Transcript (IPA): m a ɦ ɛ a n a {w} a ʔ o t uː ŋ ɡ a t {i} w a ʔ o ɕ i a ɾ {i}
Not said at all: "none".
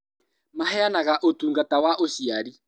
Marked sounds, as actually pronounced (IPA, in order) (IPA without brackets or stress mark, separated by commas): ɣ, a, i